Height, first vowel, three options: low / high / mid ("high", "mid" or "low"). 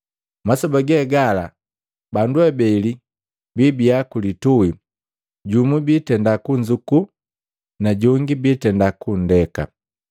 low